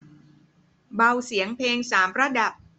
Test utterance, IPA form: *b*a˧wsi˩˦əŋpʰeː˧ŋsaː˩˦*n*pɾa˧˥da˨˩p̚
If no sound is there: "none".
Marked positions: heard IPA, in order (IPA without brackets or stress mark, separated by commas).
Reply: b, m